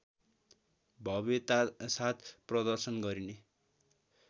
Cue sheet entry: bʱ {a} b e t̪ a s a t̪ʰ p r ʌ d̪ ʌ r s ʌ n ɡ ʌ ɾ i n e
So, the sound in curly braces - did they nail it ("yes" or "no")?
no